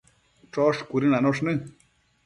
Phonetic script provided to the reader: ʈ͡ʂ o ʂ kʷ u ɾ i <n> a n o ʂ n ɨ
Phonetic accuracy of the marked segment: correct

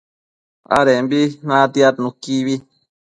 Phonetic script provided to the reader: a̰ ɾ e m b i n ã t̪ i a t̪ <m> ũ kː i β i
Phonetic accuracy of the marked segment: incorrect: n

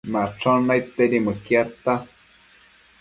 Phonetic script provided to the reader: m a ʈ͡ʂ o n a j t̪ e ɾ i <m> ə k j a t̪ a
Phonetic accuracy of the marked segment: correct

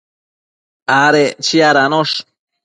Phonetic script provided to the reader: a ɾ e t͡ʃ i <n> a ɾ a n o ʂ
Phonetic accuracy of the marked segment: incorrect: none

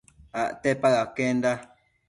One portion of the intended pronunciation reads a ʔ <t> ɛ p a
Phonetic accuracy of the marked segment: correct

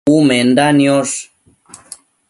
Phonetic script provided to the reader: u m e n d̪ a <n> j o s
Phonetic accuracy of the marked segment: correct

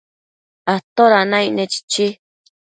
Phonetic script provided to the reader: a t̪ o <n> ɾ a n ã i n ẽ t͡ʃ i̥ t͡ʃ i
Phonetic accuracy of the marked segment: incorrect: none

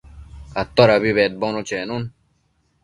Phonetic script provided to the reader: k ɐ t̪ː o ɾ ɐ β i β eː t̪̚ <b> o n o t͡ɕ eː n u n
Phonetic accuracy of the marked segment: correct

